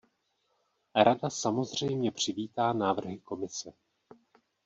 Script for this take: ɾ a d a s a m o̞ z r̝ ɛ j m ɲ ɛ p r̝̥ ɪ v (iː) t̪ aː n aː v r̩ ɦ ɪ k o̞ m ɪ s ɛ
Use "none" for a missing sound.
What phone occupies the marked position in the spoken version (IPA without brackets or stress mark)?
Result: iː